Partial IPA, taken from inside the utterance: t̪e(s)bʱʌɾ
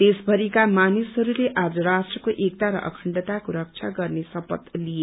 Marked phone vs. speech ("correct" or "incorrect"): correct